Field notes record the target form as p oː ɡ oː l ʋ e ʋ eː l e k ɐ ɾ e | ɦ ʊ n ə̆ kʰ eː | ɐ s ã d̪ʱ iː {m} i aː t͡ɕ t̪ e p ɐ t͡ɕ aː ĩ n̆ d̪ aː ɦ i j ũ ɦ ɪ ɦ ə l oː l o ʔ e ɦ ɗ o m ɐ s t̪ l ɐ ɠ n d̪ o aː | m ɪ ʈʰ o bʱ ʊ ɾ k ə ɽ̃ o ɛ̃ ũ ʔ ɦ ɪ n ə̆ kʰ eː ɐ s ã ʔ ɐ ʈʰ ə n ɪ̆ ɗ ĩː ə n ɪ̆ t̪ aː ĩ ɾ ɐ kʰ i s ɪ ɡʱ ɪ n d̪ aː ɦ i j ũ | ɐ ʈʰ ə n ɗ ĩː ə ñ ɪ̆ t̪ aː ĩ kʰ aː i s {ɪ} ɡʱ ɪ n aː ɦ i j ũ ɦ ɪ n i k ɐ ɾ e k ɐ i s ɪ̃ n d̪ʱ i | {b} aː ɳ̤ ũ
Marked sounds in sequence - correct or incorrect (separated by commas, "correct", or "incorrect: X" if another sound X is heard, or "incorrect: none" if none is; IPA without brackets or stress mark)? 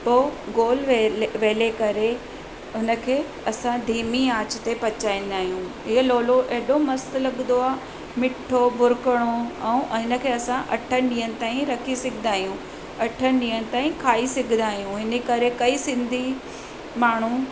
correct, correct, incorrect: m